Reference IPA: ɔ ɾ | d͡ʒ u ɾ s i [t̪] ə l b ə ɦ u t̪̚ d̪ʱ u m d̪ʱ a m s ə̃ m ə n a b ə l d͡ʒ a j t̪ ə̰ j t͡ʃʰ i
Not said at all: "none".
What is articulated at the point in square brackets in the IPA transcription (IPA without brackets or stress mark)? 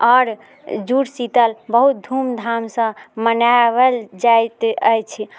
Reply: t̪